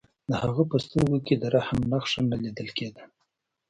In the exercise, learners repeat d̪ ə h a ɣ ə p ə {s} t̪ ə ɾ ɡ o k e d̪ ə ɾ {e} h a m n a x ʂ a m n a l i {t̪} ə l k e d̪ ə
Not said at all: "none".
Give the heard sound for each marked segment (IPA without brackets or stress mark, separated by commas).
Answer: s, a, d̪